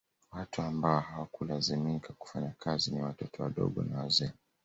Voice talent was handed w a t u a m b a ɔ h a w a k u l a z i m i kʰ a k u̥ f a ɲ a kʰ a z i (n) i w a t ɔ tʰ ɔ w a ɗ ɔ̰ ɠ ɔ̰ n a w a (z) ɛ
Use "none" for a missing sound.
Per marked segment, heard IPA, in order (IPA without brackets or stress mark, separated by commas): n, z